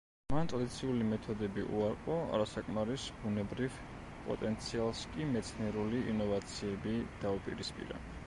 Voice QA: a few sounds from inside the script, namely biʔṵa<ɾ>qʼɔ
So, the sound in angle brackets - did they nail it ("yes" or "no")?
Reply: yes